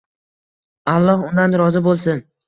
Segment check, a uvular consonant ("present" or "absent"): absent